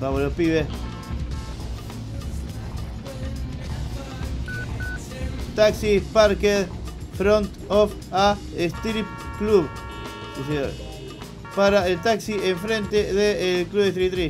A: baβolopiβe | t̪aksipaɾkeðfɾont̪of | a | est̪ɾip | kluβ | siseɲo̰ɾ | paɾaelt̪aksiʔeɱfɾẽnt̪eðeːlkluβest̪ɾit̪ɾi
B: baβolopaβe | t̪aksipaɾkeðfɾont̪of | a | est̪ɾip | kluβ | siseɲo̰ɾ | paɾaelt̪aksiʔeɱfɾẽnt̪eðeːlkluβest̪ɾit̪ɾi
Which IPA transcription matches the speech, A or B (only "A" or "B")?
A